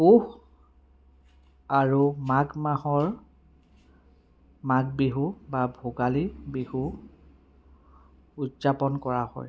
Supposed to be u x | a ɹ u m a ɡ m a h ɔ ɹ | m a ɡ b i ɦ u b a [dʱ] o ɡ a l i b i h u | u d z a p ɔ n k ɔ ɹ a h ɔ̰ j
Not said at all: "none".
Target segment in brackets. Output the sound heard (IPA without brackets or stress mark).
bʱ